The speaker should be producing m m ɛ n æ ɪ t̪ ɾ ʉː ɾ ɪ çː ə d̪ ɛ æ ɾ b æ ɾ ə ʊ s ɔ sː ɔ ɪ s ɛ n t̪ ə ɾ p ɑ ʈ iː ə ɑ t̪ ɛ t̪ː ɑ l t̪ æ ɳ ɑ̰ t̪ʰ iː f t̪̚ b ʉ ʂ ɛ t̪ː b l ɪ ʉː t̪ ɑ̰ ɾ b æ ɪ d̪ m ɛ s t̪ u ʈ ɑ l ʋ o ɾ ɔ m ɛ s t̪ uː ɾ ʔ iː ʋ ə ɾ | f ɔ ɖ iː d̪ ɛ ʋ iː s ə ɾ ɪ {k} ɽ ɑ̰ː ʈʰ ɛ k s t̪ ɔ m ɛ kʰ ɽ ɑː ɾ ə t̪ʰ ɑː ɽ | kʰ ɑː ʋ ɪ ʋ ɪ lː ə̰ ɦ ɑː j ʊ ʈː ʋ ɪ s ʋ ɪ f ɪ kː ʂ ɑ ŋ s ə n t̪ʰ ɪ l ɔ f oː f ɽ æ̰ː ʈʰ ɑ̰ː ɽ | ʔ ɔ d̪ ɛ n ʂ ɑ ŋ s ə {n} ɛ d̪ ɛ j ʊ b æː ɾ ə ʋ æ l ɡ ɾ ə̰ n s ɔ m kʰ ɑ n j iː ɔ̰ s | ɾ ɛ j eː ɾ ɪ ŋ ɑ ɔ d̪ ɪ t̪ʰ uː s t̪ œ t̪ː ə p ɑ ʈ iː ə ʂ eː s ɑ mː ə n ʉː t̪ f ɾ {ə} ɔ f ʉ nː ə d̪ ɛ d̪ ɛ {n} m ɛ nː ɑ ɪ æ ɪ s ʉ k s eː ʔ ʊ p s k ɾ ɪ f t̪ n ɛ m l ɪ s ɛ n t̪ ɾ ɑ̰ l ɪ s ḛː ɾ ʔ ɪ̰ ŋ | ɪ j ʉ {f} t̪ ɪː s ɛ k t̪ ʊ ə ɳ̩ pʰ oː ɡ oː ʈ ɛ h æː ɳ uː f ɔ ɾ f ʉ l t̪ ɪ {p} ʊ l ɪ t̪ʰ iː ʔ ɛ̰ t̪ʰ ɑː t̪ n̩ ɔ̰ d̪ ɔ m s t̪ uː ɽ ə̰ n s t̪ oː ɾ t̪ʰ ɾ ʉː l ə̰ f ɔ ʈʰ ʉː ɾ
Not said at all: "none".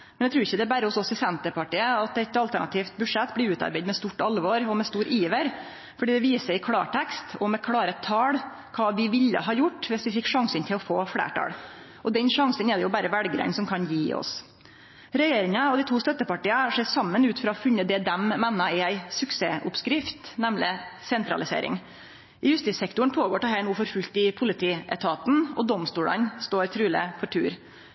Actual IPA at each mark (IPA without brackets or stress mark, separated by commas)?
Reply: kʰ, n, ɑ, m, s, pʰ